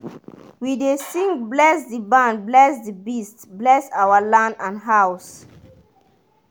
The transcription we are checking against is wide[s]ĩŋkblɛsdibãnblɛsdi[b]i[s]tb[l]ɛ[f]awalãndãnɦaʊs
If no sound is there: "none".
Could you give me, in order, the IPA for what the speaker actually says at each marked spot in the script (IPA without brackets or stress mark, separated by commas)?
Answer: s, b, s, l, s